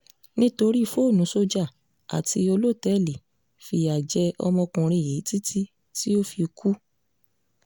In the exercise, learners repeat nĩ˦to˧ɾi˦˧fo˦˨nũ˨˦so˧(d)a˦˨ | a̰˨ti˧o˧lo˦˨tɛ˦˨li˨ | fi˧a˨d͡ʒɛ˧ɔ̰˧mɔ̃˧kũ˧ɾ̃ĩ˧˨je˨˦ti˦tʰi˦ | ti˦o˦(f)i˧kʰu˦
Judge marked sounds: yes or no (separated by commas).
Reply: no, yes